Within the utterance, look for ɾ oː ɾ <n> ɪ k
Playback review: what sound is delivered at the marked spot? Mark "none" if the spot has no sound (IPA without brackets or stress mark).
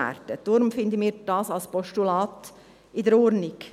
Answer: n